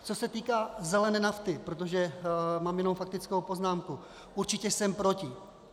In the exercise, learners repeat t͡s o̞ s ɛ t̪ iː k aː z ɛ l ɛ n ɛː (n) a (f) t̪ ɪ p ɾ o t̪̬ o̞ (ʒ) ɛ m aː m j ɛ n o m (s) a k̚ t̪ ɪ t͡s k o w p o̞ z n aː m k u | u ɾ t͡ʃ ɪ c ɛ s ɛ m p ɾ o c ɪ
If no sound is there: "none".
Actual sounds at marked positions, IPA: n, f, ʒ, f

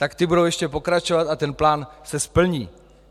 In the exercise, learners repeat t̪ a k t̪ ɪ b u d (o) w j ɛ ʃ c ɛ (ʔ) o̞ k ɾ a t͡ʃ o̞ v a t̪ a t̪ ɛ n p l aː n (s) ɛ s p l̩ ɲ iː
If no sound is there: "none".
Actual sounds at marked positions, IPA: o, p, s

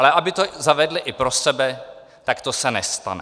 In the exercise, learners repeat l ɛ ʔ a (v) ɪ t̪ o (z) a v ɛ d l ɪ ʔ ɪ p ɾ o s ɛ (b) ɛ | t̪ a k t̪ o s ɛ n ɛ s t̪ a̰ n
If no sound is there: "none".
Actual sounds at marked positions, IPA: b, z, b

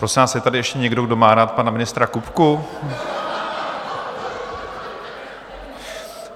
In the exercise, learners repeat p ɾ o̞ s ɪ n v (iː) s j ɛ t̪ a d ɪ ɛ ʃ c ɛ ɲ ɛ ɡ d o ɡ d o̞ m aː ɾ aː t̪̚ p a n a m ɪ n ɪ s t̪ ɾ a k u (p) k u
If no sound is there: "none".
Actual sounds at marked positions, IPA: aː, p

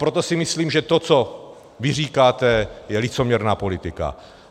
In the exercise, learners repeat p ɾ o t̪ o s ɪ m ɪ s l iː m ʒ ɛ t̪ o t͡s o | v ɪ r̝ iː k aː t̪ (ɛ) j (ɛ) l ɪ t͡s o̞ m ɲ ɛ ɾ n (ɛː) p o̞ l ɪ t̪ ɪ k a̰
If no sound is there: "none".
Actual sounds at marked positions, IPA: ɛ, ɛ, aː

